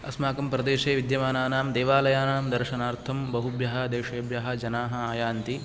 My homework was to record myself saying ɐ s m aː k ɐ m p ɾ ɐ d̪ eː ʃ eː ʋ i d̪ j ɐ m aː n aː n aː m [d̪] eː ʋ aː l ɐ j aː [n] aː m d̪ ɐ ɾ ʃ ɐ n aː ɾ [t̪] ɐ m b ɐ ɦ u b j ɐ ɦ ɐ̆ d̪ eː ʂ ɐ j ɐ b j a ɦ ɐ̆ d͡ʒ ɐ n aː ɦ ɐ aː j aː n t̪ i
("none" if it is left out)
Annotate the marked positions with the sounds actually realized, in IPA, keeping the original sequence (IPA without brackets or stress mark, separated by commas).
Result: d̪, n, t̪ʰ